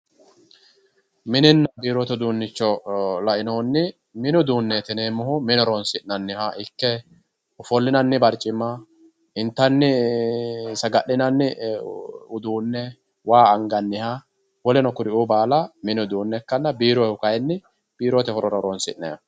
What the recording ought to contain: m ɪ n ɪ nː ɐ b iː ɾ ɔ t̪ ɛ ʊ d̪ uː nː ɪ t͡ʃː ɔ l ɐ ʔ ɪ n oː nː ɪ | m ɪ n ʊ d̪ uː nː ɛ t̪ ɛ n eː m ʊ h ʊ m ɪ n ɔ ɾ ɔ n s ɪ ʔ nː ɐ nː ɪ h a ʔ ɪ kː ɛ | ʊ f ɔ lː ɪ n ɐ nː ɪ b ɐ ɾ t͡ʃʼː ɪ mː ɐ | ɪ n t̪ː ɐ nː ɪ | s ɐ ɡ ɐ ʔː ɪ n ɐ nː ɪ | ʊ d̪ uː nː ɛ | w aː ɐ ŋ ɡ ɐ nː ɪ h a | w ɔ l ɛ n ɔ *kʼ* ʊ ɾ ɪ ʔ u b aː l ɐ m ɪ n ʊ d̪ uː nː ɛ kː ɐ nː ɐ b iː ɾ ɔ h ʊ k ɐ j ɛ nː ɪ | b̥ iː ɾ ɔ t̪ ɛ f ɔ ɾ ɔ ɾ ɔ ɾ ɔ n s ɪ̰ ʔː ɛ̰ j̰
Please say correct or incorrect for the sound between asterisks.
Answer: incorrect